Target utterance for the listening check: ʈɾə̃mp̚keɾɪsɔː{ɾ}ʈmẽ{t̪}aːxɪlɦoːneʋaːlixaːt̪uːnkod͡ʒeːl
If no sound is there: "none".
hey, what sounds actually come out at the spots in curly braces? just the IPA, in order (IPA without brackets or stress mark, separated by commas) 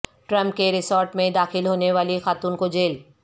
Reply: ɾ, d̪